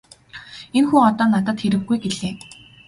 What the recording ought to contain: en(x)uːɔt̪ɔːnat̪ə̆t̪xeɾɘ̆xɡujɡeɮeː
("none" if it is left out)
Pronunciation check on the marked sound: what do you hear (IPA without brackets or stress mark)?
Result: x